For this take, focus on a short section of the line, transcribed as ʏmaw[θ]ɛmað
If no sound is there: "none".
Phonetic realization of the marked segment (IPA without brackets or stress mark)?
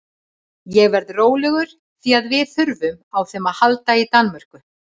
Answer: θ